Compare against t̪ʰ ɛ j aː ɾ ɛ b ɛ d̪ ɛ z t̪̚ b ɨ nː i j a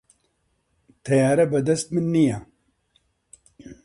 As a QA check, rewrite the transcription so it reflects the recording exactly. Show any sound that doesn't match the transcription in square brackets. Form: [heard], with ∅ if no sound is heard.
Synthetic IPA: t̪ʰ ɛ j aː ɾ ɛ b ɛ d̪ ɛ [s] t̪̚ [m] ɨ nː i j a